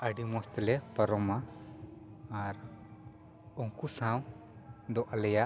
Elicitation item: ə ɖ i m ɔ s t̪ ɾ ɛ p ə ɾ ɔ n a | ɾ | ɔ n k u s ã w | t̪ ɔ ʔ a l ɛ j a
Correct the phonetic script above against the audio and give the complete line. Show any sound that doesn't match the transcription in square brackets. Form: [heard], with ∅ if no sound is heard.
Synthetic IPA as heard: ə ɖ i m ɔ s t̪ [l] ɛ p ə ɾ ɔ [m] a | ɾ | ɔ [ŋ] k u s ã w | [d̪] ɔ ʔ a l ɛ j a